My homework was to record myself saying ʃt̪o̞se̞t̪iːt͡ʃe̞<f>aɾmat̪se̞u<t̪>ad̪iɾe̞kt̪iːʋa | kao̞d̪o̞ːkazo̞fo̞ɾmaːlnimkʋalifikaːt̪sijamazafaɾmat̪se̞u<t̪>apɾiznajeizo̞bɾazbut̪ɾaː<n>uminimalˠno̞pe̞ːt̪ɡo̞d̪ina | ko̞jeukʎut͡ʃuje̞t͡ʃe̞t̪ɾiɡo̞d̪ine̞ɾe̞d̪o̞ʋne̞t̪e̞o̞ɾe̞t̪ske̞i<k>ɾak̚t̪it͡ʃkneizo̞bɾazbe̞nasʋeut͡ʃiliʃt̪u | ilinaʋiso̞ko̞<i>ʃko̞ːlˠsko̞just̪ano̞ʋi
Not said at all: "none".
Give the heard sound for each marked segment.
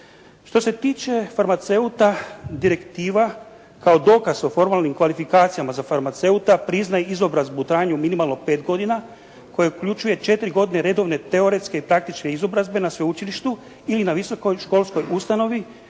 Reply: f, t̪, t̪, ɲ, p, j

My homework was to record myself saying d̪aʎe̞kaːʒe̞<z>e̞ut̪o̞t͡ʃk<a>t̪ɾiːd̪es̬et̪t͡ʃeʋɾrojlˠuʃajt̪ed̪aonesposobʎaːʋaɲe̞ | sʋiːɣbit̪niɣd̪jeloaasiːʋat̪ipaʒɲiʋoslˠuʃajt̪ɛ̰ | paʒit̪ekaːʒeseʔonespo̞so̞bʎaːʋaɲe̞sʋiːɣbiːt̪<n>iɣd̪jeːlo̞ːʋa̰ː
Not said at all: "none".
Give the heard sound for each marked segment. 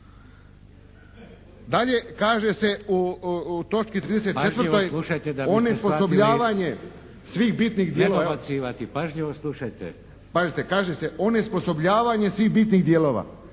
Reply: s, i, n

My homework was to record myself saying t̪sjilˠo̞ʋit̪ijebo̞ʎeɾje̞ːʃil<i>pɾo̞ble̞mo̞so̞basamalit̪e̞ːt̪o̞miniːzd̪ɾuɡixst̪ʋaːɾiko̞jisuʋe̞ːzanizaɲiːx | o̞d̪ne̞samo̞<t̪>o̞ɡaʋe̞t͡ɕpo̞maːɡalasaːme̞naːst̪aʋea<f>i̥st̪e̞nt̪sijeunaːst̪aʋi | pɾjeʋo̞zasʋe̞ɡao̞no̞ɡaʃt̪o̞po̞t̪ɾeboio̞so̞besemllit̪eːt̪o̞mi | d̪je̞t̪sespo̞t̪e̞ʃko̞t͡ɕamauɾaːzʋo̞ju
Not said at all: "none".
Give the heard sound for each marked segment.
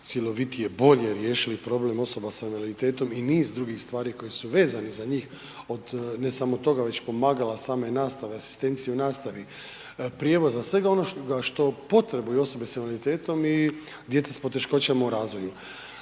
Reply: i, t̪, s

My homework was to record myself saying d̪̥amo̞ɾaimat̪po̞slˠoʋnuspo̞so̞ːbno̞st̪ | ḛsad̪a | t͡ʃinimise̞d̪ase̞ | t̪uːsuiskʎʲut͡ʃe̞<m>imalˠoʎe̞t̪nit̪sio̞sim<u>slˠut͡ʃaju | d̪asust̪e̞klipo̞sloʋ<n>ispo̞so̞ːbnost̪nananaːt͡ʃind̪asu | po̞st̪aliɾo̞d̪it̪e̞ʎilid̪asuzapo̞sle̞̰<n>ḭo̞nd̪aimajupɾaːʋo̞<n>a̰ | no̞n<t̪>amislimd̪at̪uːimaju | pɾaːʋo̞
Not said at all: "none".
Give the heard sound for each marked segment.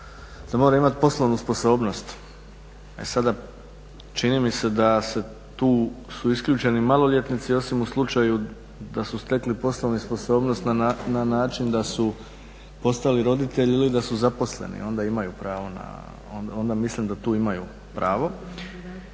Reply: n, u, n, n, n, d̪

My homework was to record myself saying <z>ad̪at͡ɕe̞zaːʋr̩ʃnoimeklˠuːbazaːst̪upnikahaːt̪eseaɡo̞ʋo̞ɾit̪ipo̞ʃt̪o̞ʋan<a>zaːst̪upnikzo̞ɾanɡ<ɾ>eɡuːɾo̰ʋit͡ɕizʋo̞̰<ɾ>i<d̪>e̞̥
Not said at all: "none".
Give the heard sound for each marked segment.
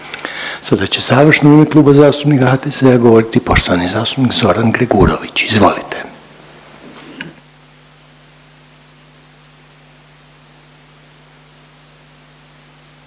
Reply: s, i, ɾ, l, t̪

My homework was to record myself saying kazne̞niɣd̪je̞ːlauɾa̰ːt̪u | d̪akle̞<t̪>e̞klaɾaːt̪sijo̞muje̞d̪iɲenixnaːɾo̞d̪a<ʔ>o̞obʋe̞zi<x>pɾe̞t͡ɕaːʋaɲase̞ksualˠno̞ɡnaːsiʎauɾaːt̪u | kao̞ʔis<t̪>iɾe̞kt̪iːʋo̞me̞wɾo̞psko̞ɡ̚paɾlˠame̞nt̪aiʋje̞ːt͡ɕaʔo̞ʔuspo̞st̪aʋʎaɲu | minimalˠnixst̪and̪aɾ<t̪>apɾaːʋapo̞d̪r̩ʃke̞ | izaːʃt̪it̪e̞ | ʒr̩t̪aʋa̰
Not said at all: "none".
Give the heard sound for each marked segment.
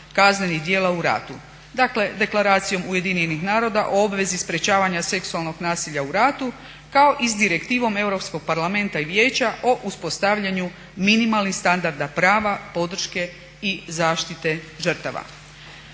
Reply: d̪, ʔ, s, d̪, d̪

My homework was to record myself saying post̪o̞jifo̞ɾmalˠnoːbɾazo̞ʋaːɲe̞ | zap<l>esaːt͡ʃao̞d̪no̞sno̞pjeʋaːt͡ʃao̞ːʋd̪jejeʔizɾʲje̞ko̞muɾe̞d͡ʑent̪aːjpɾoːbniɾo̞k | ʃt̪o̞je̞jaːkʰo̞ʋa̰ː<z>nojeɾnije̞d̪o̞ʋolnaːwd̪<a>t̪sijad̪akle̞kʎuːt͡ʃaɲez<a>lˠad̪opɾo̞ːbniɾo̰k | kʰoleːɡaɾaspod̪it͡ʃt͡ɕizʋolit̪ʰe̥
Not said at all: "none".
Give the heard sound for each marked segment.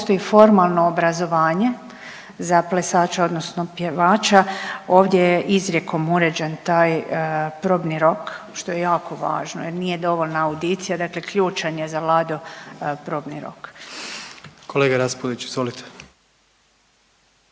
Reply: l, ʒ, i, a

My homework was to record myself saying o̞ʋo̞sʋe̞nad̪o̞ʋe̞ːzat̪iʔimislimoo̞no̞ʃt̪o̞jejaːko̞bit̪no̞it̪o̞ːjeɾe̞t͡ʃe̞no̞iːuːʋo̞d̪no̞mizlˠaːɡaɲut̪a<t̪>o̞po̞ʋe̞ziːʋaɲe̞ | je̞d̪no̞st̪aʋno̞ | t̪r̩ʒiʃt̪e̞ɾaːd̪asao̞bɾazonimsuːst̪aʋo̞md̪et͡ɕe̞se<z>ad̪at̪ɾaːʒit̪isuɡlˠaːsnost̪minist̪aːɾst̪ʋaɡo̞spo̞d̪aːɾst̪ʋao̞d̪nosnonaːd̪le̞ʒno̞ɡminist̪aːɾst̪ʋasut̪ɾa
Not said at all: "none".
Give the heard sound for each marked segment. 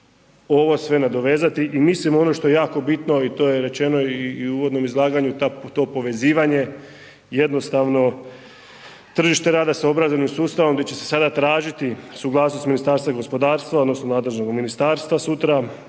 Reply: t̪, s

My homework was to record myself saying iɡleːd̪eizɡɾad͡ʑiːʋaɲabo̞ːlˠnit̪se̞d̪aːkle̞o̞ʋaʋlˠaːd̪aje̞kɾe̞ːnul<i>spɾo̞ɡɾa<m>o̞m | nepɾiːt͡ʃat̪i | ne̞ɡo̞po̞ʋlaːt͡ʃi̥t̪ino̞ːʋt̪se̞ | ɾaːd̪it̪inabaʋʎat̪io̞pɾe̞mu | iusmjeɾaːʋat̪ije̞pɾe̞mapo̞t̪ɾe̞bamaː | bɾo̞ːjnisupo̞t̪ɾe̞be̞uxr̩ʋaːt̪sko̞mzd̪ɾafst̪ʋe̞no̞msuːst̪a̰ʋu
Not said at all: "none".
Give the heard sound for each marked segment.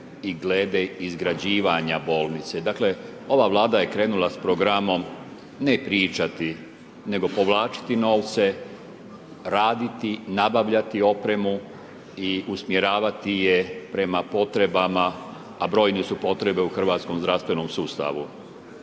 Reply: a, m

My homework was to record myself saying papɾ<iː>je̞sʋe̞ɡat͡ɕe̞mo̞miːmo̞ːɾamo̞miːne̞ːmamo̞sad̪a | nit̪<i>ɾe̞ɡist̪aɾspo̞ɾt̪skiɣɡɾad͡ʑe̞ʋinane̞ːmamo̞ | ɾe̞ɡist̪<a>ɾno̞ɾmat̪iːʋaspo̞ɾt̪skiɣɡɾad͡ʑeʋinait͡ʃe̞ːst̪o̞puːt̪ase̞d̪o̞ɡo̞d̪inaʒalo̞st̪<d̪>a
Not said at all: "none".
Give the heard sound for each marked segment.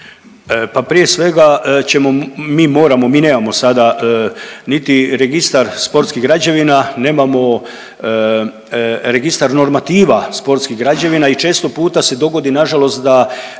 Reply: i, i, a, d̪

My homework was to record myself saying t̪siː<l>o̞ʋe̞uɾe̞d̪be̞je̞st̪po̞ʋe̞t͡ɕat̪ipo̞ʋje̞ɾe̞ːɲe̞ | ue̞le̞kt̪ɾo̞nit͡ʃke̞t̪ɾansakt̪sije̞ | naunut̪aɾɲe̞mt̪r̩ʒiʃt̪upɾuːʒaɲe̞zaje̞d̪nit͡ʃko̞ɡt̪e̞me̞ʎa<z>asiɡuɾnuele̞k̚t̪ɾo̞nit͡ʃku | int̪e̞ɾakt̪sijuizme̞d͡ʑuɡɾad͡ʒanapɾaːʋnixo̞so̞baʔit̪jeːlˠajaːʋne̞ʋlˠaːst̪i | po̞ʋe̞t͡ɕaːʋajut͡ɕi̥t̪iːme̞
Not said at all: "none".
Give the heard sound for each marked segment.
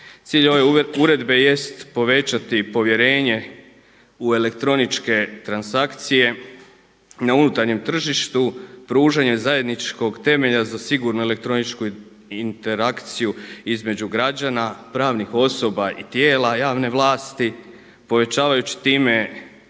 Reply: ʎ, z

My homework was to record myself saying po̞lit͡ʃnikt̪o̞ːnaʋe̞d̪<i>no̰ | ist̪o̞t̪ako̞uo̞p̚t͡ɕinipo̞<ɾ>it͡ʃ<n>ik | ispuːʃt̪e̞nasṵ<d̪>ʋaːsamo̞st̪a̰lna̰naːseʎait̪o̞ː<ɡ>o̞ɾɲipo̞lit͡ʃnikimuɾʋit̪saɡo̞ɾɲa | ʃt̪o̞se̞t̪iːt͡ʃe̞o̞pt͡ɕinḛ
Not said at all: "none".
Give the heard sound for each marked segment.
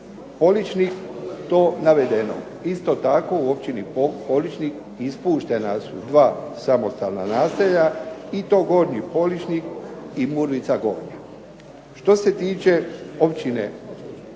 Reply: e, l, n, d̪, ɡ

